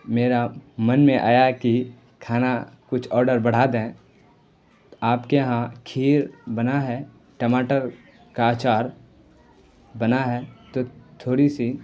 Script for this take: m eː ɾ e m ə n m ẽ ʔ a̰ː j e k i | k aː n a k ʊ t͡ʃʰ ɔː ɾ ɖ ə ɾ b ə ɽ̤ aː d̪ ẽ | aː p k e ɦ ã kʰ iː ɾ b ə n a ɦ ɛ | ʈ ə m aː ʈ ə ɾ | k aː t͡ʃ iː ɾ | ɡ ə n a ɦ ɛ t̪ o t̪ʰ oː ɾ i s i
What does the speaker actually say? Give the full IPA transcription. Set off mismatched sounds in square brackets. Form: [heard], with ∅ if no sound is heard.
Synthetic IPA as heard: m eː ɾ [a] m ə n m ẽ ʔ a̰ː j [a] k i | [kʰ] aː n a k ʊ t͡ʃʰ ɔː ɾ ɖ ə ɾ b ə ɽ̤ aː d̪ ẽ | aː p k e ɦ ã kʰ iː ɾ b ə n a ɦ ɛ | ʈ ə m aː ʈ ə ɾ | k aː t͡ʃ [aː] ɾ | [b] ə n a ɦ ɛ t̪ o t̪ʰ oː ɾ i s i